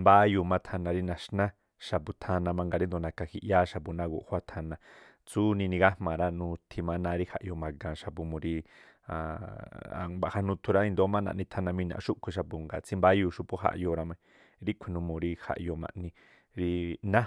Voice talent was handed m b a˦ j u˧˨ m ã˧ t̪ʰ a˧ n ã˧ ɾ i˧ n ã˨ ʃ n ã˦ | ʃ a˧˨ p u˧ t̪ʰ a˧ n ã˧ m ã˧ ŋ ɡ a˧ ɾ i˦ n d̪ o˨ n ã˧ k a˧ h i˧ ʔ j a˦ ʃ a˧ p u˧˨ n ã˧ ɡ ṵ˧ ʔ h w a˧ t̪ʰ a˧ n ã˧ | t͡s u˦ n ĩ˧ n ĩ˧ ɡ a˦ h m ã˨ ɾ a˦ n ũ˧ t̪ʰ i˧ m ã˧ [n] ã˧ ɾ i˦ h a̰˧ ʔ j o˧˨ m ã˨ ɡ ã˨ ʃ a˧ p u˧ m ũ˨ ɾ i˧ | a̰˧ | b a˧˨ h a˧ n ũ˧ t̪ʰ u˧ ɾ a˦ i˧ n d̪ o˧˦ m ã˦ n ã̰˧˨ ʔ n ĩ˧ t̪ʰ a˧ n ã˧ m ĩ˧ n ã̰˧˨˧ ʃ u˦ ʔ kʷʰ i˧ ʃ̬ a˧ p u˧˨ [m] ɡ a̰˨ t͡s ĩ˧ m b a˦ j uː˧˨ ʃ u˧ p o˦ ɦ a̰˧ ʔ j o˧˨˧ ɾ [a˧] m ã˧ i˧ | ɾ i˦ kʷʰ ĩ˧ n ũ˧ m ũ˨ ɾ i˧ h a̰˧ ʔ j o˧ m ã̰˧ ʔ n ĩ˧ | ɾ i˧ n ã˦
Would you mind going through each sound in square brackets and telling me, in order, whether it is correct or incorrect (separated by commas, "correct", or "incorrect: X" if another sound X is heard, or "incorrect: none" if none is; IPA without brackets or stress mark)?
correct, incorrect: ŋ, correct